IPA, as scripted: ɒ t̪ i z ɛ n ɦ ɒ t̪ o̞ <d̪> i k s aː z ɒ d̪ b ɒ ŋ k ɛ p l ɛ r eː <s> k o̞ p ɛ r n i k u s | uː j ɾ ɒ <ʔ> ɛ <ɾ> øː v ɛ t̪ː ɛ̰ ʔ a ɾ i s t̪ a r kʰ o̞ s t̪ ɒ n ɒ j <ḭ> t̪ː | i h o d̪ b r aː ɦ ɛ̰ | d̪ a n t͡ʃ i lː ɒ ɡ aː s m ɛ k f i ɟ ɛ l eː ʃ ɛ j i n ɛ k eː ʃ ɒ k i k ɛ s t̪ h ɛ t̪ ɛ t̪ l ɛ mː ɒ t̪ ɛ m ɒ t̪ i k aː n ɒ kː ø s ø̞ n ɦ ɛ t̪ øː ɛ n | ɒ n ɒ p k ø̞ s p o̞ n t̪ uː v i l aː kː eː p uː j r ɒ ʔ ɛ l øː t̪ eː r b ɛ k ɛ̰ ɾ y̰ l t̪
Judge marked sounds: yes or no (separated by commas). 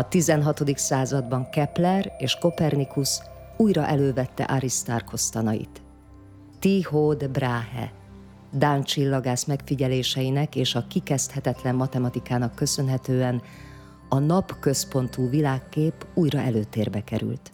yes, no, yes, no, yes